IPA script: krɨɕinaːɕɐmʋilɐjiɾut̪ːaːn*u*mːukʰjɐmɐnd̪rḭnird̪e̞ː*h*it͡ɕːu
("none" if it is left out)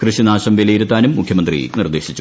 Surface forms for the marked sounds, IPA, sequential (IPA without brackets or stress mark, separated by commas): u, ɕ